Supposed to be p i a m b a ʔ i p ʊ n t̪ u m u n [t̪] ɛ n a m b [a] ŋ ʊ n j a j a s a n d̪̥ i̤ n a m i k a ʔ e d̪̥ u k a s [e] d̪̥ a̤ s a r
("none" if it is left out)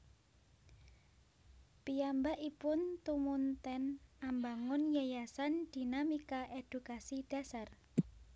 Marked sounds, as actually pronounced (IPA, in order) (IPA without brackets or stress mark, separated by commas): t̪, a, i